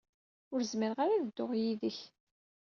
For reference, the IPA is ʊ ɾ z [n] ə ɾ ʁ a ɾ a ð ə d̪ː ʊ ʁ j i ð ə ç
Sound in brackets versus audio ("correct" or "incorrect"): incorrect